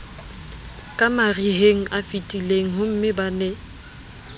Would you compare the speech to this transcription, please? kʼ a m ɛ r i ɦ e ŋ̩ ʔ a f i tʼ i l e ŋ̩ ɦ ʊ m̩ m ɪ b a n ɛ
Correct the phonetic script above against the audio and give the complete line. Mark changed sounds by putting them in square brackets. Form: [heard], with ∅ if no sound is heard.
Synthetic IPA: kʼ a m [a] r i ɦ e ŋ̩ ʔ a f i tʼ i l e ŋ̩ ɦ ʊ m̩ m ɪ b a n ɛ